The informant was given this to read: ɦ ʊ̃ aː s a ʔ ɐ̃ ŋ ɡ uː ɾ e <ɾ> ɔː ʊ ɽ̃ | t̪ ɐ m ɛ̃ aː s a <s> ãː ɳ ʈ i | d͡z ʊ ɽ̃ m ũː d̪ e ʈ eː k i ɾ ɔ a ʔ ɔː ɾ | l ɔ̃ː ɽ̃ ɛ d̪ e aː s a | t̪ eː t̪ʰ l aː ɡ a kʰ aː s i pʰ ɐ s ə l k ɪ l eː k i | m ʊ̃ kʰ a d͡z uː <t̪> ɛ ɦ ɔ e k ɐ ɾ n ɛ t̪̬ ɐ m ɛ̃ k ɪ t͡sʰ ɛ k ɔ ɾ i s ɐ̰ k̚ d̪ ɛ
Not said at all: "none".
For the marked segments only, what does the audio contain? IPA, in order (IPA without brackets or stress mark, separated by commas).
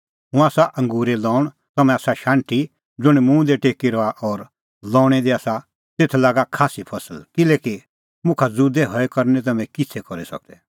l, ʃ, d̪